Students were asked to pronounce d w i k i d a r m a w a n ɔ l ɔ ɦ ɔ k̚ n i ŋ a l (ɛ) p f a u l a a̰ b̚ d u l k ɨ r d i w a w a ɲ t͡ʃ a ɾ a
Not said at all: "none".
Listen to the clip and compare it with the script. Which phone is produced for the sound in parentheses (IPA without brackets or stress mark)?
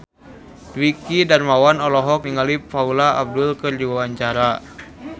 i